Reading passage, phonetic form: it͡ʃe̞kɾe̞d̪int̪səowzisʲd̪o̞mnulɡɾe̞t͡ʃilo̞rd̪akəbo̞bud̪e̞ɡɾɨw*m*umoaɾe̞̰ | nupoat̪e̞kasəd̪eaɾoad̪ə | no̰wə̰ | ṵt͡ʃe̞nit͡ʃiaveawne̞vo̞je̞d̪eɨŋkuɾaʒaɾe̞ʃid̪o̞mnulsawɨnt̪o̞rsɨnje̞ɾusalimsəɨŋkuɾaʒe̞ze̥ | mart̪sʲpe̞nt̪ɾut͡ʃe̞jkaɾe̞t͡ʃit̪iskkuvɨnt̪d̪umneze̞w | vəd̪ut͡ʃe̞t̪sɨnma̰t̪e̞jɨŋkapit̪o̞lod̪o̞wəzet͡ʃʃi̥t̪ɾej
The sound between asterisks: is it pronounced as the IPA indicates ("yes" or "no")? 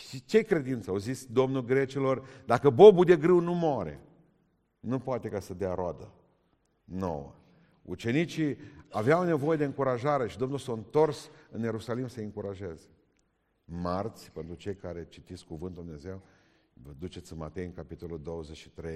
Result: no